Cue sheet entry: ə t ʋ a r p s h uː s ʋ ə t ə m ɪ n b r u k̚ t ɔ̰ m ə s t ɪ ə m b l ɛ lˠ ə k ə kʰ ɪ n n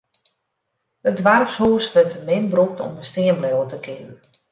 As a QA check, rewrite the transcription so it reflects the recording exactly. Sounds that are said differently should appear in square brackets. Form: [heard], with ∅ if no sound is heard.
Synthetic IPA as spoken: ə [d] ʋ a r p s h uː s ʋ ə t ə m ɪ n b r u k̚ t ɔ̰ m ə s t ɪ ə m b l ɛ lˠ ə [t] ə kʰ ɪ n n